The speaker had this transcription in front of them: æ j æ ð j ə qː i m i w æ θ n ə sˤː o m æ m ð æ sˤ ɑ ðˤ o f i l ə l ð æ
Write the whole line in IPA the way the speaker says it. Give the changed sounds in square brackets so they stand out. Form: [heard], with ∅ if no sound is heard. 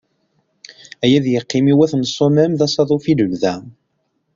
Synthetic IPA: æ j æ ð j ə qː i m i w æ θ n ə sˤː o m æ m ð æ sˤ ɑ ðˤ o f i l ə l ð æ